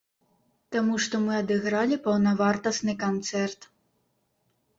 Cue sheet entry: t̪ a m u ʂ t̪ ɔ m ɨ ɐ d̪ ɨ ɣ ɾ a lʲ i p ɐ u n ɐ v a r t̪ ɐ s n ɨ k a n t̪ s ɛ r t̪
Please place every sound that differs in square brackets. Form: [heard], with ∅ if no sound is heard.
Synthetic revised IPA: t̪ a m u ʂ t̪ ɔ m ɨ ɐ d̪ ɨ ɣ ɾ a lʲ i p ɐ [w] n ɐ v a r t̪ ɐ s n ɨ k a n t̪ s ɛ r t̪